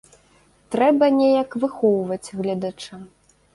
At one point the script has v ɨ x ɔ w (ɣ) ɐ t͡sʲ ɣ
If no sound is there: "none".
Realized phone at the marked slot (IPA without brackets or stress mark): v